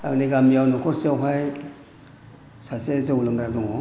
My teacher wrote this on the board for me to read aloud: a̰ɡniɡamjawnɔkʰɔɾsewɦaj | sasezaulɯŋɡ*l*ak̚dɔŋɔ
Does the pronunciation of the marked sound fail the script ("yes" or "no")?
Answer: yes